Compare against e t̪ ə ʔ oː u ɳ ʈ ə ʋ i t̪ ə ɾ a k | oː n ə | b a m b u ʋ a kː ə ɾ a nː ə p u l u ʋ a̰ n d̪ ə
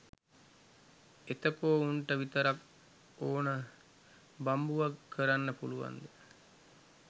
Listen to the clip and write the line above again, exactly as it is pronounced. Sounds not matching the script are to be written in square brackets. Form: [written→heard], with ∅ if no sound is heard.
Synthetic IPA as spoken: e t̪ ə [ʔ→k] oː u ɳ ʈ ə ʋ i t̪ ə ɾ a k | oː n ə | b a m b u ʋ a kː ə ɾ a nː ə p u l u ʋ a̰ n d̪ ə